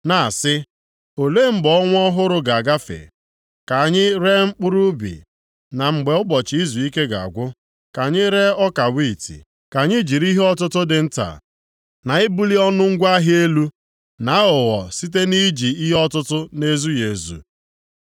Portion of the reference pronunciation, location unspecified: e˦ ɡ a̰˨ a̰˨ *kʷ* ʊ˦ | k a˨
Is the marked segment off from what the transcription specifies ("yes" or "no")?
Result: yes